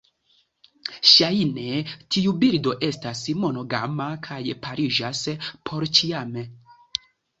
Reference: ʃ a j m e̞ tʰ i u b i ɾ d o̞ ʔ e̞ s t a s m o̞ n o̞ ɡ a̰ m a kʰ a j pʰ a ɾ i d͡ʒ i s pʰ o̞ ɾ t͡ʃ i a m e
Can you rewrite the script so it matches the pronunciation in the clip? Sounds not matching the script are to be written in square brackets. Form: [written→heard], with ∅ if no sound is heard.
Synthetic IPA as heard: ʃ a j [m→n] e̞ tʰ i u b i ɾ d o̞ ʔ e̞ s t a s m o̞ n o̞ ɡ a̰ m a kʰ a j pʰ a ɾ i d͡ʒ [i→a] s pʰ o̞ ɾ t͡ʃ i a m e